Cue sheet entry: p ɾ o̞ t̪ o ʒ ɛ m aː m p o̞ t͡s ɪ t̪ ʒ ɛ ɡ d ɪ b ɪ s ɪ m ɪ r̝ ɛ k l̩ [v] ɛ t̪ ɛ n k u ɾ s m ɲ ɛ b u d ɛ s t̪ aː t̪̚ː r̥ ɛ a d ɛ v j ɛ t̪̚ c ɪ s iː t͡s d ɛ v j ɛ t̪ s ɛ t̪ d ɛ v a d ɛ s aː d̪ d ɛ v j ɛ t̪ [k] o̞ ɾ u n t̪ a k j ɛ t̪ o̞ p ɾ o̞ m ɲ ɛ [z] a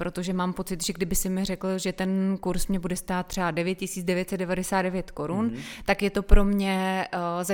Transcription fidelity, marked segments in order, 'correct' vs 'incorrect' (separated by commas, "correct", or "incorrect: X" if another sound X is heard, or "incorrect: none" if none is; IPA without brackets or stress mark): incorrect: ʒ, correct, correct